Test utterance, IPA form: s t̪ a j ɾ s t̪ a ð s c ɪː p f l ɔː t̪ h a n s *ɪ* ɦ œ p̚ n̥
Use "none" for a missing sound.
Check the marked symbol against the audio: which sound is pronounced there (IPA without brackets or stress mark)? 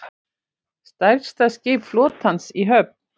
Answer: i